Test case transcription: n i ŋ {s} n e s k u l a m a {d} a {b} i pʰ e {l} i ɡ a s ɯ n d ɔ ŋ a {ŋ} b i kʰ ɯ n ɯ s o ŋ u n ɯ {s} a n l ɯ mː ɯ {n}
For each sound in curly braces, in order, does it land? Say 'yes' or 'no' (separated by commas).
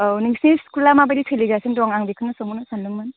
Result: yes, no, no, yes, yes, yes, yes